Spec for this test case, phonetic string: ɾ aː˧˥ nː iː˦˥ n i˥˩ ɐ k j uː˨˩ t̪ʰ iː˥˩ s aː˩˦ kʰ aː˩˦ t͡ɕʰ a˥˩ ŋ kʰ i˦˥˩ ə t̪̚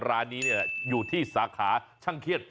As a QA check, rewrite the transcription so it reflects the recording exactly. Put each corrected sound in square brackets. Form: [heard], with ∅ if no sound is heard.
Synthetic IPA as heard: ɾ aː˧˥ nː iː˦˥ n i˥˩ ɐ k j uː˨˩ t̪ʰ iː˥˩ s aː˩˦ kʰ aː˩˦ t͡ɕʰ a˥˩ ŋ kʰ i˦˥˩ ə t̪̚